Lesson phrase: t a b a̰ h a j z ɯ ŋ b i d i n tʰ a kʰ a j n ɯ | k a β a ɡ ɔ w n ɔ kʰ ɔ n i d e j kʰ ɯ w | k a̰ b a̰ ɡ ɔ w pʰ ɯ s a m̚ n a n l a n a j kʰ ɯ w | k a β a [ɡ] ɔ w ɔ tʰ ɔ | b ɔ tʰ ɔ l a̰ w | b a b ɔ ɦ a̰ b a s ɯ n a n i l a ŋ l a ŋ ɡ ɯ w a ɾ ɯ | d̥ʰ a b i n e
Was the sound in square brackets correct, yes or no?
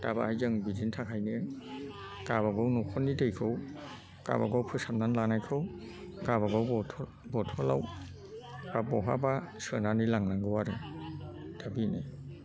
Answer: yes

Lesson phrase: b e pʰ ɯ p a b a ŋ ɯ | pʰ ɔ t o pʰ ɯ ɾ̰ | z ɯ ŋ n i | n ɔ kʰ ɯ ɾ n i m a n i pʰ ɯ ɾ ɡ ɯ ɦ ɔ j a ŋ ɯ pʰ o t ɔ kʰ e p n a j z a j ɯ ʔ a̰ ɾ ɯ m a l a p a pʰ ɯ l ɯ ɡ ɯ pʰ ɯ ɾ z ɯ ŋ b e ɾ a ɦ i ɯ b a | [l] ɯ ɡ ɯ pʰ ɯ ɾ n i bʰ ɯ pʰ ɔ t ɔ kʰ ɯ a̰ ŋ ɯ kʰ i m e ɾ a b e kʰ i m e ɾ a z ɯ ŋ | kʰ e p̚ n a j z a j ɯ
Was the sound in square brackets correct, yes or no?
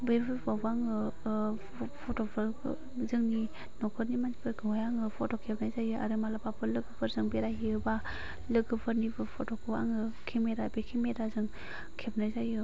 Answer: yes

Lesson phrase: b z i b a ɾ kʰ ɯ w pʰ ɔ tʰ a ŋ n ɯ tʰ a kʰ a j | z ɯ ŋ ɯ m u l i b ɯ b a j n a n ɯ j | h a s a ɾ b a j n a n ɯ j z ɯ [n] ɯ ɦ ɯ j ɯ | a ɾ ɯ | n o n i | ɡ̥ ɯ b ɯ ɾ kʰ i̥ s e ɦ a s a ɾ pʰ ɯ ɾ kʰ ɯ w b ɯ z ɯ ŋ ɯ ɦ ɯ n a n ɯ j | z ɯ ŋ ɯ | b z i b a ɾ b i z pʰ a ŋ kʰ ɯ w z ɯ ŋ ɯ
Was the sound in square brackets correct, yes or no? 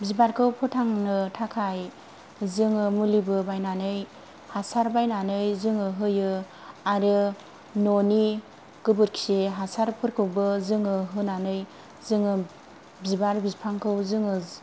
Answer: no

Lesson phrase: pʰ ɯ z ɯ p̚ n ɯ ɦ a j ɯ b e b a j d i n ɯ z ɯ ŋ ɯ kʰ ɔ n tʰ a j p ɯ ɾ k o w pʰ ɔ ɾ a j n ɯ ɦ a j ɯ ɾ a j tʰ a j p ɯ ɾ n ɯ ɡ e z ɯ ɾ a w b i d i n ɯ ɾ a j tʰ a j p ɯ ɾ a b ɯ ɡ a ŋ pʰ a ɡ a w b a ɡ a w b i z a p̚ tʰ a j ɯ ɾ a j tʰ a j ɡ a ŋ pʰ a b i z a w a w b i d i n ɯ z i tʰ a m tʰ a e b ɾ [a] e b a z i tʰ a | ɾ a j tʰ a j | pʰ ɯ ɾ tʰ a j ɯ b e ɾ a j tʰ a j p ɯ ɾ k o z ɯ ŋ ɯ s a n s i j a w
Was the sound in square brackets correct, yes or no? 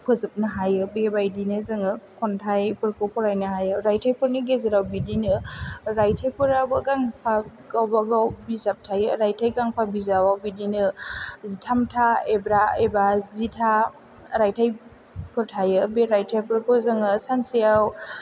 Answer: yes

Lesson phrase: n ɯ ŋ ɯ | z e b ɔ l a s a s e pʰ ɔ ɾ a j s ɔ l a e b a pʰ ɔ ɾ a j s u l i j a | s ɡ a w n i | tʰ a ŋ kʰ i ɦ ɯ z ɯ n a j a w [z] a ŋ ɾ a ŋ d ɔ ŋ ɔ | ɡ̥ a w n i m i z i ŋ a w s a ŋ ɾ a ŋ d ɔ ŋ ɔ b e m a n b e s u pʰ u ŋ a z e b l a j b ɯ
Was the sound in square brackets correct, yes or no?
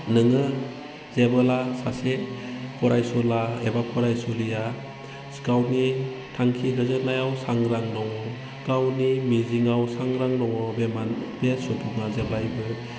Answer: no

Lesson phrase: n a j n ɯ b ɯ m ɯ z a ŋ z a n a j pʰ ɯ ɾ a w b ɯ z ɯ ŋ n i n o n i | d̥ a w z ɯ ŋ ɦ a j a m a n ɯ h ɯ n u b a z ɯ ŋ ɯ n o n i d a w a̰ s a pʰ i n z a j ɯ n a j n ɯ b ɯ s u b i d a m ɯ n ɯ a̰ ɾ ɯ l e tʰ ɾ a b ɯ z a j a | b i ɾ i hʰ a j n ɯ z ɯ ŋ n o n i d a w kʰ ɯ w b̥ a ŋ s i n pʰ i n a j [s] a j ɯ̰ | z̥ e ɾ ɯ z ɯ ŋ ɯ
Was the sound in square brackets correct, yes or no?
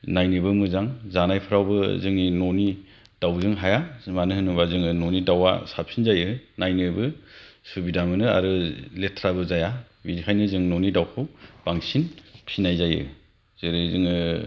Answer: no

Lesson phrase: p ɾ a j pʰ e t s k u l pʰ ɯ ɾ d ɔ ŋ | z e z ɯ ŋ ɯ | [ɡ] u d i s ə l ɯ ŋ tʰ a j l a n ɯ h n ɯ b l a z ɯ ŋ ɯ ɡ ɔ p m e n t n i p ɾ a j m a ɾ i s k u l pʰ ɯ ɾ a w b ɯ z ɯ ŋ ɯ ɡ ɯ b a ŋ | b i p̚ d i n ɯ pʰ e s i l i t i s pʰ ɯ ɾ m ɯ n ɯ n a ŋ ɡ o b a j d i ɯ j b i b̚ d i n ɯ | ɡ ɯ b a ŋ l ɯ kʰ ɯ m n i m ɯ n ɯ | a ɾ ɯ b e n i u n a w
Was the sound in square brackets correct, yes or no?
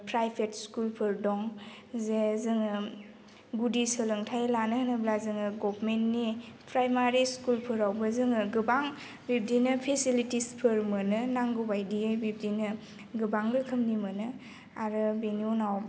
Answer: yes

